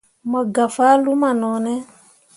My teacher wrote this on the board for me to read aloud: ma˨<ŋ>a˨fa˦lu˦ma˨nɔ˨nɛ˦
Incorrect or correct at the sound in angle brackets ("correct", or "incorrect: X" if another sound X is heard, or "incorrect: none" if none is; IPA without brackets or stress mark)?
incorrect: ɡ